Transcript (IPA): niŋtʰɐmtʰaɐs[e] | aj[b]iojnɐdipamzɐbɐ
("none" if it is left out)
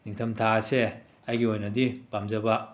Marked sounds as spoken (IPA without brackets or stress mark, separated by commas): e, ɡ